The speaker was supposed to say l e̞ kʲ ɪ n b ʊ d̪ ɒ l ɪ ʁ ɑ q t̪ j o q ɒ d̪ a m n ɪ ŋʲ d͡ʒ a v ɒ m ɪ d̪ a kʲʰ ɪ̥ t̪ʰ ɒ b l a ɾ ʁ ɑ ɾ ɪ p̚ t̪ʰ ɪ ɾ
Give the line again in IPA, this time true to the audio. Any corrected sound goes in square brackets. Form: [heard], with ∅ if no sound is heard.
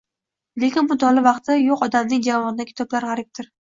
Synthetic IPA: l e̞ kʲ ɪ n b ʊ d̪ ɒ l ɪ [v] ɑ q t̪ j o q ɒ d̪ a m n ɪ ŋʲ d͡ʒ a v ɒ [n] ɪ d̪ a kʲʰ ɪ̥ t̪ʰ ɒ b l a ɾ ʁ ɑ ɾ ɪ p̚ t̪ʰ ɪ ɾ